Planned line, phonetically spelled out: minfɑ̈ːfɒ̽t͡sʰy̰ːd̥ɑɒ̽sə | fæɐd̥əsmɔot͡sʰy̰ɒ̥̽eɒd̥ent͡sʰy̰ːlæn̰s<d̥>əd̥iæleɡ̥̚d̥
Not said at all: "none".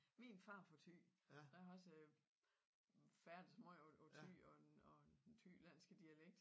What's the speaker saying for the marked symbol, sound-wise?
ɡ̥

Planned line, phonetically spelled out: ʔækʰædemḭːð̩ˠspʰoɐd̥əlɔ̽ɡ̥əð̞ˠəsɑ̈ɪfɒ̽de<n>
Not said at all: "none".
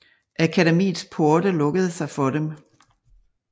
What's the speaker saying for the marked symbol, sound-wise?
m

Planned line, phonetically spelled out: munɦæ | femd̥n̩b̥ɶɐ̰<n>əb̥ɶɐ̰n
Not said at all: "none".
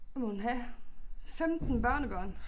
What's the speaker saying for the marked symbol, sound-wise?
n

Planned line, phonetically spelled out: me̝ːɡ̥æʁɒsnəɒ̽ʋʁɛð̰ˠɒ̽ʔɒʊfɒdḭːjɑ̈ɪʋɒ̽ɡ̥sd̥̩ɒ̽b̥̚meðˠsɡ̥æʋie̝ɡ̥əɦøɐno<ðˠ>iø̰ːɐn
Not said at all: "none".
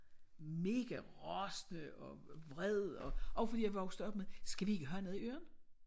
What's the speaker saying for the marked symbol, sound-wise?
ðˠ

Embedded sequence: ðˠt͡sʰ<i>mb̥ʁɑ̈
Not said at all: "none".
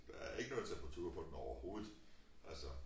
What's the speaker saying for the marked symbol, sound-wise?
e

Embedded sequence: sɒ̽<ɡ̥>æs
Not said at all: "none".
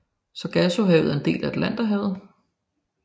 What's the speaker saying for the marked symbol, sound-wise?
ɡ̥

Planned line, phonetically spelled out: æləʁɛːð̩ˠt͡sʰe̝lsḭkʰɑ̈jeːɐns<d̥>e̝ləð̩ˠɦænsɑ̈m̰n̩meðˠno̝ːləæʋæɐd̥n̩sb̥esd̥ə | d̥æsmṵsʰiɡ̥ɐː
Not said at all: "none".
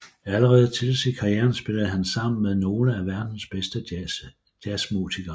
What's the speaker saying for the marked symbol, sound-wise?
b̥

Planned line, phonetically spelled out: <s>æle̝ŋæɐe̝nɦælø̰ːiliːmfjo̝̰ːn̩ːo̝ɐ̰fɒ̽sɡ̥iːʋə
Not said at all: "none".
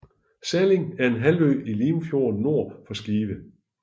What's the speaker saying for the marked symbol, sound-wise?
s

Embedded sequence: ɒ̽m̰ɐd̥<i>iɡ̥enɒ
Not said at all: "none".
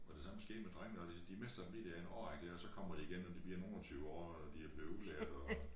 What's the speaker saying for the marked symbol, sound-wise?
i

